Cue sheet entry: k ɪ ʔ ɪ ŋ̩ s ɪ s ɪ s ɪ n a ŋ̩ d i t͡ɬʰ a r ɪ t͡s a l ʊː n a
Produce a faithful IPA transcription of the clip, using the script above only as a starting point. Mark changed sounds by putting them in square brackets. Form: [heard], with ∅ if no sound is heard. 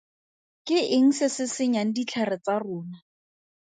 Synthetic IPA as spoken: k ɪ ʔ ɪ ŋ̩ s ɪ s ɪ s ɪ [ɲ] a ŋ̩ d i t͡ɬʰ a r ɪ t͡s a [r] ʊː n a

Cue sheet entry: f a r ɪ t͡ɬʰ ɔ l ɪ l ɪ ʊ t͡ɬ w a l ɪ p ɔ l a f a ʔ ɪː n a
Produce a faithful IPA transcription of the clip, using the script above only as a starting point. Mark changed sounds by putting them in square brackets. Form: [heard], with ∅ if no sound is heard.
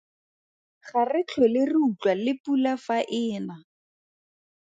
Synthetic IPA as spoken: [χ] a r ɪ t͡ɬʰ ɔ l ɪ [r] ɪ [u] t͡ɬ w a l ɪ p [u] l a f a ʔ ɪː n a

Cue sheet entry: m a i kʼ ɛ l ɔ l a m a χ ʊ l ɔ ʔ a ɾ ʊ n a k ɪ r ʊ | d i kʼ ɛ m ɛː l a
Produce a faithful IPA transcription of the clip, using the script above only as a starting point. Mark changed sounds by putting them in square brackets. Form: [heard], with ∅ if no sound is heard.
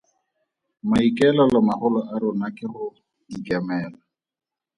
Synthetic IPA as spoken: m a i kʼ ɛ l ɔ l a m a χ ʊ l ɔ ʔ a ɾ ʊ n a k ɪ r ʊ | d i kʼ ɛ m ɛː l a

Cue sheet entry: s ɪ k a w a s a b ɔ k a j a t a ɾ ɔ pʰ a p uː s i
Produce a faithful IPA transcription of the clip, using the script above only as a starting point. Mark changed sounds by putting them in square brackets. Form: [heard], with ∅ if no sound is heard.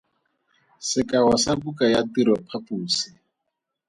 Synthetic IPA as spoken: s ɪ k a w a s a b [u] k a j a t [i] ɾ ɔ pʰ a p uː s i

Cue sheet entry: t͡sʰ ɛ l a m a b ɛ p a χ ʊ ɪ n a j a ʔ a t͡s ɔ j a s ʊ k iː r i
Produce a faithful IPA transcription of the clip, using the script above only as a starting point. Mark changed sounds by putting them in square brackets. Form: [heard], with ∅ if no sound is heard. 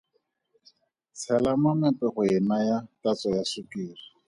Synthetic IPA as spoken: t͡sʰ ɛ l a m a [m] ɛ p [ɛ] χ ʊ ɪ n a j a [t] a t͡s ɔ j a s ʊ k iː r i

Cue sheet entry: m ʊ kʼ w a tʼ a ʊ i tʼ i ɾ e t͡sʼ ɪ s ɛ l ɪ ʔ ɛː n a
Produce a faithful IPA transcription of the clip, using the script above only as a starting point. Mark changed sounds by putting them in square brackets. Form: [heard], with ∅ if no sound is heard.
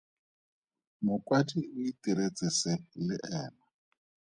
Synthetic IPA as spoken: m ʊ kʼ w a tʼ [i] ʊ i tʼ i ɾ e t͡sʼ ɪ s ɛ l ɪ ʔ ɛː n a

